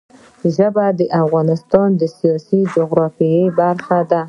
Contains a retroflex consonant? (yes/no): no